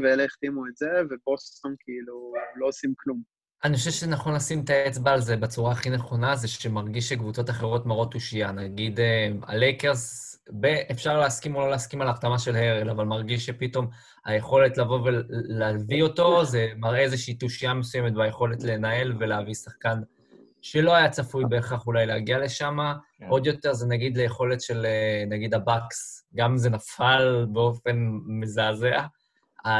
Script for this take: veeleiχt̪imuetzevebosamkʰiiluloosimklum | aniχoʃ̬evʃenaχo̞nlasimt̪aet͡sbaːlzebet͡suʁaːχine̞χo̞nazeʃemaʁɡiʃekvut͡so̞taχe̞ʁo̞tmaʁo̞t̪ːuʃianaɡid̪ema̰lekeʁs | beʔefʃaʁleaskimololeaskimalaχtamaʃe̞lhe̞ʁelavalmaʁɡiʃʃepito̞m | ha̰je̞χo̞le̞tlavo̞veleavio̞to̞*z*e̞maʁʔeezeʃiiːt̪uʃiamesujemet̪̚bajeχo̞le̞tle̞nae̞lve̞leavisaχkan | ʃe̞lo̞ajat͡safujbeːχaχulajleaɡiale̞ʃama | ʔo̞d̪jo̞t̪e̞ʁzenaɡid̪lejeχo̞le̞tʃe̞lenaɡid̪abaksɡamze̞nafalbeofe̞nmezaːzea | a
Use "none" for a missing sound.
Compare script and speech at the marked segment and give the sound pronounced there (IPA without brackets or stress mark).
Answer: z